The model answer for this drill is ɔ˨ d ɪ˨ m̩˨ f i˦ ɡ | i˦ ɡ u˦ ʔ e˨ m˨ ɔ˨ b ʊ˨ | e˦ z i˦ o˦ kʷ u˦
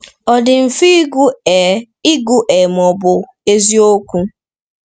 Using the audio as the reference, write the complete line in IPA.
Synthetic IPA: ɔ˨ d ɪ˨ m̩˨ f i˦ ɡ | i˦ ɡ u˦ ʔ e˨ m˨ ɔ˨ b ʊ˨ | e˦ z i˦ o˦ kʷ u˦